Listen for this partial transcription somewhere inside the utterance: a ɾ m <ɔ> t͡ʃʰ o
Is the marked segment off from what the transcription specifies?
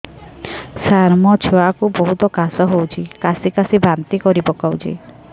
no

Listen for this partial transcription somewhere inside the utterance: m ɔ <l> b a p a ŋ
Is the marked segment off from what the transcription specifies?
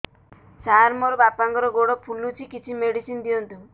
yes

